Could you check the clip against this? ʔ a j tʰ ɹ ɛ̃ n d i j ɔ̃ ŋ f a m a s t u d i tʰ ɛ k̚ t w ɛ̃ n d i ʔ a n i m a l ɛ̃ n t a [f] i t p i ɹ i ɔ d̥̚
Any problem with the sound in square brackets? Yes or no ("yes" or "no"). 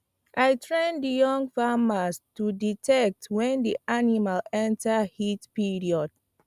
yes